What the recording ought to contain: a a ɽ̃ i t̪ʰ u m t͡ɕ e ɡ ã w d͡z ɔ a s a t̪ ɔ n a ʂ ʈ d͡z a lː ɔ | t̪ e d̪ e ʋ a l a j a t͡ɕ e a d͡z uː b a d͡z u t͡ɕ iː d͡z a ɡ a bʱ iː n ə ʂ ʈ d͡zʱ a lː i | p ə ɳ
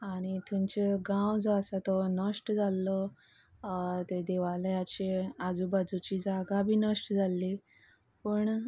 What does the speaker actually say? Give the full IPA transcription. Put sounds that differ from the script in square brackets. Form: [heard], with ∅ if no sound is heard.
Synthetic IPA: a a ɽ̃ i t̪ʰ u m t͡ɕ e ɡ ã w d͡z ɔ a s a t̪ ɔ n [ə] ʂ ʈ d͡z a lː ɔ | t̪ e d̪ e ʋ a l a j a t͡ɕ e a d͡z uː b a d͡z u t͡ɕ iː d͡z a ɡ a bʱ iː n ə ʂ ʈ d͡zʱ a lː i | p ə ɳ